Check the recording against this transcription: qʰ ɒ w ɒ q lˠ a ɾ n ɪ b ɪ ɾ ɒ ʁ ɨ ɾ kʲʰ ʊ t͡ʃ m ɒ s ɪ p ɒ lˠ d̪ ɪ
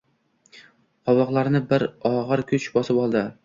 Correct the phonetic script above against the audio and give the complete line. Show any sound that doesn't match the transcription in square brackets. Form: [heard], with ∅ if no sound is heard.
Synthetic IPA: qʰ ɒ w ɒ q lˠ a ɾ n ɪ b ɪ ɾ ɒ ʁ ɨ ɾ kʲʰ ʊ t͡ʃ [b] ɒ s ɪ p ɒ lˠ d̪ ɪ